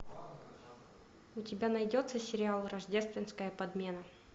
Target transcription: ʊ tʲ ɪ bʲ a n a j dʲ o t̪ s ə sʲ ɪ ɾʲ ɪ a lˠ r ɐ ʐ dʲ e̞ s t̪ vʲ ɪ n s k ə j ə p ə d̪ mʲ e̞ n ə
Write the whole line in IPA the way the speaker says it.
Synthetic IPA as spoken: ʊ tʲ ɪ bʲ a n ɐ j dʲ o t̪ s ə sʲ ɪ ɾʲ ɪ a lˠ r ɐ ʐ dʲ e̞ s t̪ vʲ ɪ n s k ə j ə p ɐ d̪ mʲ e̞ n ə